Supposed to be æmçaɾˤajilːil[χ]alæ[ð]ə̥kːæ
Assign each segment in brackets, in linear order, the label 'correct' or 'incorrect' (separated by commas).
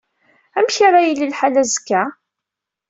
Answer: incorrect, incorrect